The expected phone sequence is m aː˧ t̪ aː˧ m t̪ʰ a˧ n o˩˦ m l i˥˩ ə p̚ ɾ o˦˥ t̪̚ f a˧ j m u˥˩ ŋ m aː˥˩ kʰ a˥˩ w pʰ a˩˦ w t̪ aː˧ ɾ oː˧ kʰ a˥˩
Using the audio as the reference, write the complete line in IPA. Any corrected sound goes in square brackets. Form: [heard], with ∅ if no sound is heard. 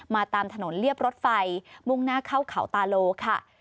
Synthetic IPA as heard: m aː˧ t̪ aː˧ m t̪ʰ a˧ n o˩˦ [n] l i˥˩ ə p̚ ɾ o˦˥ t̪̚ f a˧ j m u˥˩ ŋ [n] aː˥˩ kʰ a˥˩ w [kʰ] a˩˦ w t̪ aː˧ [l] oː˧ kʰ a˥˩